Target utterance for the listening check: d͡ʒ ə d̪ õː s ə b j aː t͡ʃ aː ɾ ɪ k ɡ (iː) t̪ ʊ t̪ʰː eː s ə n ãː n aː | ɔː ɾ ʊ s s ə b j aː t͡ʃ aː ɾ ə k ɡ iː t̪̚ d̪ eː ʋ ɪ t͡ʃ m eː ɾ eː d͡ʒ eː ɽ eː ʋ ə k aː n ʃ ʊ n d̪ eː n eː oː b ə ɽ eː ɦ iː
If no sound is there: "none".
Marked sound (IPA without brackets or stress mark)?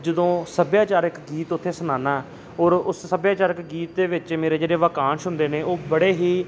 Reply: iː